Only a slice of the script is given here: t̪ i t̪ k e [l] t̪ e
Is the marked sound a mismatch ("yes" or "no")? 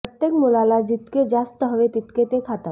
yes